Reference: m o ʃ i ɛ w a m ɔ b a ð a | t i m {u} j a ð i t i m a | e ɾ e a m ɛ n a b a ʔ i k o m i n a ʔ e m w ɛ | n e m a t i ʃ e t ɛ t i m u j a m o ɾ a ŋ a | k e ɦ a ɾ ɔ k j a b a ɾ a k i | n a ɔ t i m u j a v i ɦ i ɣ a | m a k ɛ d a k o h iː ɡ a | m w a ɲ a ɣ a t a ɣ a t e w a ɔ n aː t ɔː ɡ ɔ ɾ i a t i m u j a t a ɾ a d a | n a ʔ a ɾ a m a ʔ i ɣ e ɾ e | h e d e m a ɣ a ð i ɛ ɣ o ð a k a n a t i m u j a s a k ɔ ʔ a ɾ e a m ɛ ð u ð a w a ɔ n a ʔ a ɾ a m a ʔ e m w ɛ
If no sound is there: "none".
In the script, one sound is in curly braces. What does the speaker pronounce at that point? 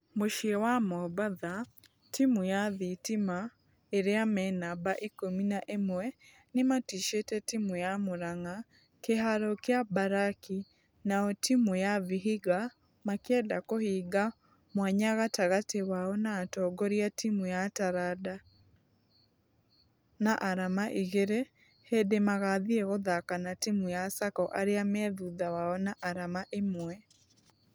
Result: u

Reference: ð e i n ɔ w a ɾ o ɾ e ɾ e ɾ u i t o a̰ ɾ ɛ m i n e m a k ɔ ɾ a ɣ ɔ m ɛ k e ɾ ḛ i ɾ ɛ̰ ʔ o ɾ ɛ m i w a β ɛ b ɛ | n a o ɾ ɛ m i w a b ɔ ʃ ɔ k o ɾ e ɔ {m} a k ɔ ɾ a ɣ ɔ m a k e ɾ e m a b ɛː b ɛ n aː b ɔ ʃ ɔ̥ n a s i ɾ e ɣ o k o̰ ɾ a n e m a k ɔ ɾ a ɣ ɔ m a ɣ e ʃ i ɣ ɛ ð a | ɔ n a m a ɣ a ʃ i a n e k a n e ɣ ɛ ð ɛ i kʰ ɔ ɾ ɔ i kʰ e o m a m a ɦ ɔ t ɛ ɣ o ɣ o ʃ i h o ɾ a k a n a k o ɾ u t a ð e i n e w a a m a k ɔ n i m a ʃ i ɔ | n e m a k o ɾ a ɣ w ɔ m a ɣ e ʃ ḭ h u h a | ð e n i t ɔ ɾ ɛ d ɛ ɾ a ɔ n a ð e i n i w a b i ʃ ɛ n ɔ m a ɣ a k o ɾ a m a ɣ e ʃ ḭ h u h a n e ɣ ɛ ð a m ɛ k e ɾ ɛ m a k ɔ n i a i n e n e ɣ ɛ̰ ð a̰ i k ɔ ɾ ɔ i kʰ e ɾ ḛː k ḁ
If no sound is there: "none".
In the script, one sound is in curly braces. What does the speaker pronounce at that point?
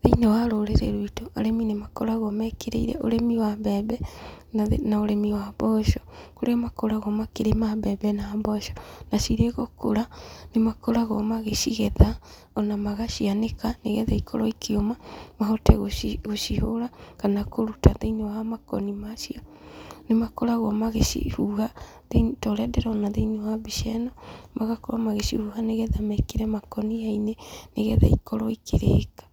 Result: m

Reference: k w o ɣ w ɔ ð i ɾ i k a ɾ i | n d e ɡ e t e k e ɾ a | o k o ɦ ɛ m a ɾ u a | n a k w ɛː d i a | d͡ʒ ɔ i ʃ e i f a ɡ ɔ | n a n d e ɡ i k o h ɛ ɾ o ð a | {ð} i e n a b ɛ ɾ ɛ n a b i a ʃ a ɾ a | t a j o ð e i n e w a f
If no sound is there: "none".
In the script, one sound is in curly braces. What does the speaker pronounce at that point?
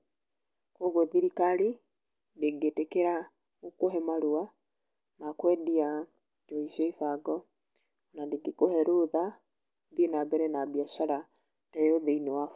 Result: ð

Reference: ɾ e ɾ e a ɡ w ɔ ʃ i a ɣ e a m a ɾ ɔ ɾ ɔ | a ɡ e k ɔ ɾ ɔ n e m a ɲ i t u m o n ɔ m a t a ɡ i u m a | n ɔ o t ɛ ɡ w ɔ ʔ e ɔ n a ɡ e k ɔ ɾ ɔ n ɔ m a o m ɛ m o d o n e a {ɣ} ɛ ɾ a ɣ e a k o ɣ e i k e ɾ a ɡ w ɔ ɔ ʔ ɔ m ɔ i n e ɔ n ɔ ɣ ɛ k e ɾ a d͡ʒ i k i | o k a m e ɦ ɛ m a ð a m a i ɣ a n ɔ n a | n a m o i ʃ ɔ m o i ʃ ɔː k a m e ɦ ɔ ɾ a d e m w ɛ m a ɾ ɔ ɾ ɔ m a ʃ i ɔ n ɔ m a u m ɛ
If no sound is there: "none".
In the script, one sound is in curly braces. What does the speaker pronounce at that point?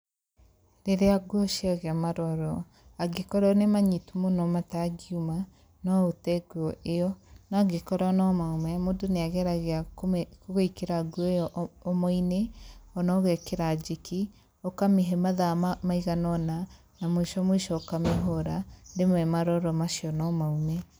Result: ɣ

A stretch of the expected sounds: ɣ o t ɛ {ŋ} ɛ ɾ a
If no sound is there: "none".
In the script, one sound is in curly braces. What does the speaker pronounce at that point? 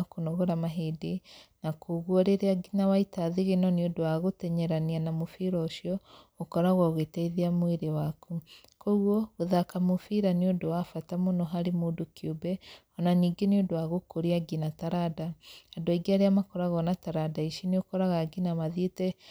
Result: ɲ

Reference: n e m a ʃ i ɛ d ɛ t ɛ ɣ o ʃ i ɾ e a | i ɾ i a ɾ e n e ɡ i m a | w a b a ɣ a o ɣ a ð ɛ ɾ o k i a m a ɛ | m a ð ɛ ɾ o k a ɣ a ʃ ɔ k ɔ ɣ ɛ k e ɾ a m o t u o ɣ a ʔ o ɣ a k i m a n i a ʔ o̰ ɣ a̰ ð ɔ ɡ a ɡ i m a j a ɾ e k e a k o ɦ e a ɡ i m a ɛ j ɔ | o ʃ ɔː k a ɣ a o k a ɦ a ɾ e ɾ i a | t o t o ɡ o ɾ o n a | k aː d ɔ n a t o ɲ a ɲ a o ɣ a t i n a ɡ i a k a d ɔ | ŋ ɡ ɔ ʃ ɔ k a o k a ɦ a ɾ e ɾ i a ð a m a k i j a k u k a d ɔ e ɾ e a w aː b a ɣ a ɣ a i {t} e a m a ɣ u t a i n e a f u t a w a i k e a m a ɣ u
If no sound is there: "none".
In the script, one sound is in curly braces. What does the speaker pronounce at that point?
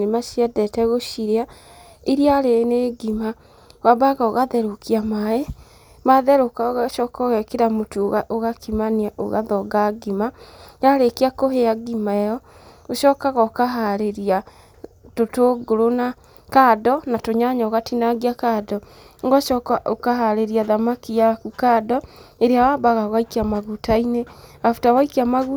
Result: k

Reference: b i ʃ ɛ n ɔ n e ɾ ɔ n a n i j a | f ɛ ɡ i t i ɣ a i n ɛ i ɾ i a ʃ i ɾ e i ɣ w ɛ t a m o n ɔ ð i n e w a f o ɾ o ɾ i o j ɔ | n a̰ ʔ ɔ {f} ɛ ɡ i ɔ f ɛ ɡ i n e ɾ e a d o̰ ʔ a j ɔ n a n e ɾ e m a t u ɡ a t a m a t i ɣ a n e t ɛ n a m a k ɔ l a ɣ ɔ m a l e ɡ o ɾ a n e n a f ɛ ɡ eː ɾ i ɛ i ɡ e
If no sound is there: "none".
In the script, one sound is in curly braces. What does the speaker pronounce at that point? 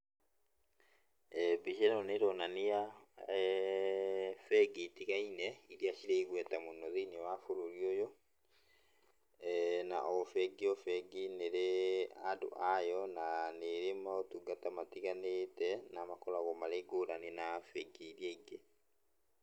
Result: f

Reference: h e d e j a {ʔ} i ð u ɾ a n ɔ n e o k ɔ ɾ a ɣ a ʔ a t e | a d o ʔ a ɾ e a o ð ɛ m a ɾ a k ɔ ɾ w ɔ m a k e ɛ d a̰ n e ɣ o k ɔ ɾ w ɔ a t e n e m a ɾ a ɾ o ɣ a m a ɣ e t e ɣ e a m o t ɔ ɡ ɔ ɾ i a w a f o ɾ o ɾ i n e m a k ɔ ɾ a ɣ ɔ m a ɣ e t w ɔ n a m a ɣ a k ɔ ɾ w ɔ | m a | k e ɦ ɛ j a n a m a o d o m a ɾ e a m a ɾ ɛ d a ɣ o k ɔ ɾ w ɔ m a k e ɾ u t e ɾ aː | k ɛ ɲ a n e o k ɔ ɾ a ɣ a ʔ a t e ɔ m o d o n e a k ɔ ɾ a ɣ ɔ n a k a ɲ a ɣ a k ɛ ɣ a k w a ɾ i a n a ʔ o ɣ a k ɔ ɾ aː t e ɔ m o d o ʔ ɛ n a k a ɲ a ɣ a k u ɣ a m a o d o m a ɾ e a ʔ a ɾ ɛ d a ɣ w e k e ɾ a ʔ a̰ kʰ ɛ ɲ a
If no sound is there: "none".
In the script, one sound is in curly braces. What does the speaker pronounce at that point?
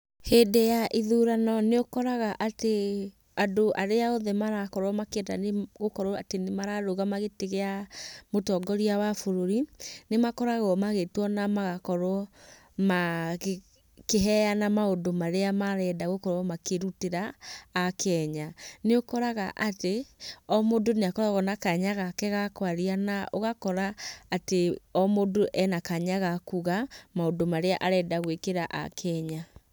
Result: ʔ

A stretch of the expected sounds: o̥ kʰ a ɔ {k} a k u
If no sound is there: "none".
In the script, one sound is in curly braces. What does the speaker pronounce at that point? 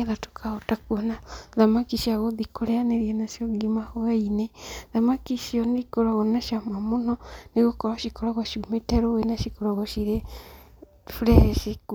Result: t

